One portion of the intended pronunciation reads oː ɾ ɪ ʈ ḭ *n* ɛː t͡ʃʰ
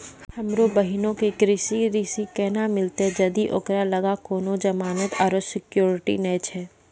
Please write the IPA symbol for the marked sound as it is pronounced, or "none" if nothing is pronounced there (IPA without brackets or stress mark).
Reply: n